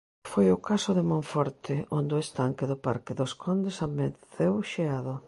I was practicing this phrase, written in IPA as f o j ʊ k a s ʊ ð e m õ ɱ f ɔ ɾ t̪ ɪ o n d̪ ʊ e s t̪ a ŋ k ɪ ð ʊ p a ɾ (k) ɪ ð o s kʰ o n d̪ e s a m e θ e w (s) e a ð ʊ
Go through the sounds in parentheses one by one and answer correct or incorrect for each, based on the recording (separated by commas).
correct, incorrect